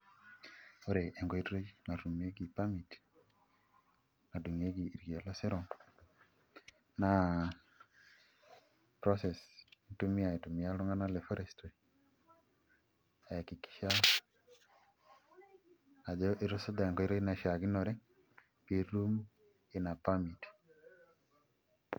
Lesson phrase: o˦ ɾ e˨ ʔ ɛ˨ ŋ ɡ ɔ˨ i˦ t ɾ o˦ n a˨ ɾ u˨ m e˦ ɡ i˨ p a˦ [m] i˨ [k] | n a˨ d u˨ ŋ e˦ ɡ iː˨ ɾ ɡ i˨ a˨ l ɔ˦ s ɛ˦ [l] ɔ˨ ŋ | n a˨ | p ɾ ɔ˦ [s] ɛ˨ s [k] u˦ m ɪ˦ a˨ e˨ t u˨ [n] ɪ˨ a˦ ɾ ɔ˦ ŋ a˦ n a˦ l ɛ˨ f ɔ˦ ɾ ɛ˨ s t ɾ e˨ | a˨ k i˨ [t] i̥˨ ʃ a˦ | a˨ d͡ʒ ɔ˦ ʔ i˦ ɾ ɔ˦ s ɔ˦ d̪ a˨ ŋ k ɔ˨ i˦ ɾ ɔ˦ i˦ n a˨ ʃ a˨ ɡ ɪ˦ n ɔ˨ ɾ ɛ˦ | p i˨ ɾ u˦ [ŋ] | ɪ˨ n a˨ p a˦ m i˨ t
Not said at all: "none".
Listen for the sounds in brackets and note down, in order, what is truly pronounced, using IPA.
m, t, ɾ, s, t, m, k, m

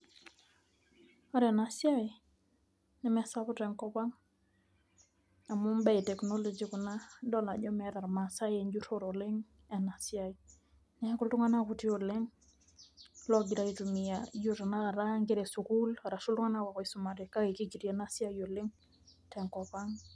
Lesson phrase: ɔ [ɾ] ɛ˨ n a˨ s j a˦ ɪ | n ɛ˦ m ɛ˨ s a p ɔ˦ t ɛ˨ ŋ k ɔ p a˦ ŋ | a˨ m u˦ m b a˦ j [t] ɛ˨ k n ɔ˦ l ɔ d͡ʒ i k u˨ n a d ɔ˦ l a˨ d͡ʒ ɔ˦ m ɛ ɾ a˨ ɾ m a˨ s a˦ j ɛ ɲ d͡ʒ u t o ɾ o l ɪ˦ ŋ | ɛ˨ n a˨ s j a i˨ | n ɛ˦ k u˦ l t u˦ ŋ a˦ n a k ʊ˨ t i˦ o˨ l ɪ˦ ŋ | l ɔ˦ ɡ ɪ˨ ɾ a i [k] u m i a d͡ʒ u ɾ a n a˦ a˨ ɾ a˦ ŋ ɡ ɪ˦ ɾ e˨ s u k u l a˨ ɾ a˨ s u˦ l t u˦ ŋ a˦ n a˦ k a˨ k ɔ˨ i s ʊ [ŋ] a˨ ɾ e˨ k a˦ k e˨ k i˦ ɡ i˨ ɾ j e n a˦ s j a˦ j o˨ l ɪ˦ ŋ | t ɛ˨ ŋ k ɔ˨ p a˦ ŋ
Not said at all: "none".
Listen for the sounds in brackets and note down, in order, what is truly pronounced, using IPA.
ɾ, t, t, m

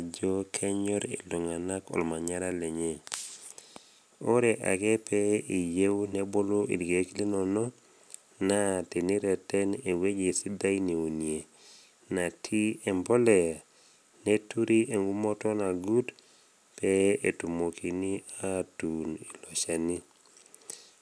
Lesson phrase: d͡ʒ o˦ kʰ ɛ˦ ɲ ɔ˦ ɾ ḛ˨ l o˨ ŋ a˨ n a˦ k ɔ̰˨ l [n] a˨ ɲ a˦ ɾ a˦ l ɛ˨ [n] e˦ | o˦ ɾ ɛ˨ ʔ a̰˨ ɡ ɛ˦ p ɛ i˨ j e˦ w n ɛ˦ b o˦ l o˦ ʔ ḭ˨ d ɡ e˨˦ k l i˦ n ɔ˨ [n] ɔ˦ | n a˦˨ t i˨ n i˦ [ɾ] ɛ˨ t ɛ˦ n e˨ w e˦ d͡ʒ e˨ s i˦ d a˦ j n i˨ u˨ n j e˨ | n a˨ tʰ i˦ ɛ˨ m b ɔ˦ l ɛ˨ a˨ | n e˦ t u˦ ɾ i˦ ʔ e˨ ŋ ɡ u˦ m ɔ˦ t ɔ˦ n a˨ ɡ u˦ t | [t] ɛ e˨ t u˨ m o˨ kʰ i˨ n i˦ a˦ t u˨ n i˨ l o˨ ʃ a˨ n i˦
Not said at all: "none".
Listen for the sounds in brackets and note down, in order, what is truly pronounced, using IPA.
m, ɲ, n, ɾ, p

